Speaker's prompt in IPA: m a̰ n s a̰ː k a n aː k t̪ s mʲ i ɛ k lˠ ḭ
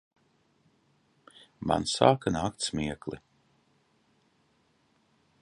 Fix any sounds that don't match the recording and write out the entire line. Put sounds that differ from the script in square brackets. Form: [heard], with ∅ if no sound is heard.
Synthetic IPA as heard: m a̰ n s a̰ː k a n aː k t̪ s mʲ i ɛ k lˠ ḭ